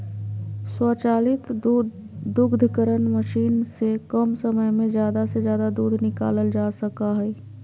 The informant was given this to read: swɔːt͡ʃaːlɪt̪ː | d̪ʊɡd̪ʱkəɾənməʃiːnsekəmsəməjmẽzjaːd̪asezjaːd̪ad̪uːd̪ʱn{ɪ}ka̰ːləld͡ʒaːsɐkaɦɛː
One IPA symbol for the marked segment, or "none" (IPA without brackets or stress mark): ɪ